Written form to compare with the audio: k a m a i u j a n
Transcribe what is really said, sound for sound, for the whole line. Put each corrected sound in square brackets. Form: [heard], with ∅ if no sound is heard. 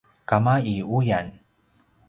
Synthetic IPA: k a m a i u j a n